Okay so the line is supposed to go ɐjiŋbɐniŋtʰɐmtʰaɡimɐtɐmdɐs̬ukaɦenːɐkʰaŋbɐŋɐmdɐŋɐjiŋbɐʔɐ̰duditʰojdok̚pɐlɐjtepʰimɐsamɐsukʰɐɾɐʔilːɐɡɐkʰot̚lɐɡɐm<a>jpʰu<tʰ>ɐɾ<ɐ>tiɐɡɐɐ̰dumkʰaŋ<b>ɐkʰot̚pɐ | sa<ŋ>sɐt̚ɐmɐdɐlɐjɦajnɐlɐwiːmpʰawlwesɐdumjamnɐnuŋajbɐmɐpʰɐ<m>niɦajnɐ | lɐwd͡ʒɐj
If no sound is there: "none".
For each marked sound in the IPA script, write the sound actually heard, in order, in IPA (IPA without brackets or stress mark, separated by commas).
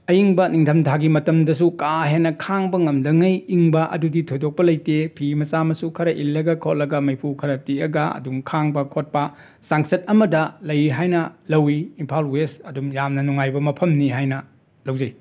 ɐ, kʰ, ɐ, b, ŋ, m